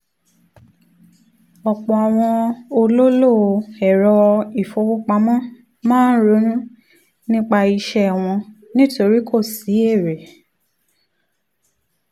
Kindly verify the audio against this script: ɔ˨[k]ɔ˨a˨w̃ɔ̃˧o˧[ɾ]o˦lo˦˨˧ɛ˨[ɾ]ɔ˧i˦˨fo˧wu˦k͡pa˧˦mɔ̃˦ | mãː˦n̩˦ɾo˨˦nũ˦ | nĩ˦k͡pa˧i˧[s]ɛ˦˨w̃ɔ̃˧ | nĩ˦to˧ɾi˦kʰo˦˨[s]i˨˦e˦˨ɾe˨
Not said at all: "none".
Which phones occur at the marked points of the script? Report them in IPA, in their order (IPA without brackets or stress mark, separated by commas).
k͡p, l, ɾ, ʃ, s